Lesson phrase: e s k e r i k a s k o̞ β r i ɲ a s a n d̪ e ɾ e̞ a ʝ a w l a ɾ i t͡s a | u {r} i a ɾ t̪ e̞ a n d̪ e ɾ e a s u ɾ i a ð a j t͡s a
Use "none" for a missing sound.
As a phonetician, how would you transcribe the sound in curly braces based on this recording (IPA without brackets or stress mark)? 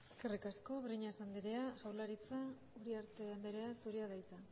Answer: ɾ